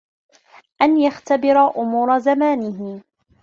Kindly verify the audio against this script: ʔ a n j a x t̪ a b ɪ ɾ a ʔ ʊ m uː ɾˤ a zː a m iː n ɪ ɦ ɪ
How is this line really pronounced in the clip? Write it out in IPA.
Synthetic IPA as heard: ʔ a n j a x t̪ a b ɪ ɾ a ʔ ʊ m uː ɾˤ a z a m aː n ɪ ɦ ɪ